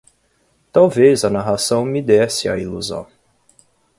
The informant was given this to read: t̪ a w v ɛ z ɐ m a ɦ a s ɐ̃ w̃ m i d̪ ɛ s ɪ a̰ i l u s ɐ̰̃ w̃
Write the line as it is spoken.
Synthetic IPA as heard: t̪ a w v e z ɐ n a ɦ a s ɐ̃ w̃ m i d̪ ɛ s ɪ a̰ i l u z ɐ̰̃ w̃